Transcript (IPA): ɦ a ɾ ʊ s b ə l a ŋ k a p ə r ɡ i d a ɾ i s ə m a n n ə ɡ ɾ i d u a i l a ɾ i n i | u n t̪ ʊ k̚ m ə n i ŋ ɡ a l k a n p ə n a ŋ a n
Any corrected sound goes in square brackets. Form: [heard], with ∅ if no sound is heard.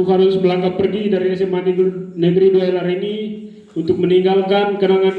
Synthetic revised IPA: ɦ a ɾ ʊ s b ə l a ŋ k a p ə r ɡ i d a ɾ i s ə m a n n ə ɡ ɾ i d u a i l a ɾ i n i | u n t̪ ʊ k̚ m ə n i ŋ ɡ a l k a n [k] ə n a ŋ a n